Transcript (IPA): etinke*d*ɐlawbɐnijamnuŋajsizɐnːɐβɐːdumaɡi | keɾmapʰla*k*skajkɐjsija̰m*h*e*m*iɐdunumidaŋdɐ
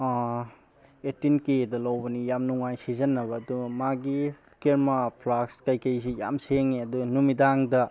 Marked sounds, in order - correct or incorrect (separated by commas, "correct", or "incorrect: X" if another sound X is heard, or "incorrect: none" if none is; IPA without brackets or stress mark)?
correct, correct, incorrect: s, incorrect: ŋ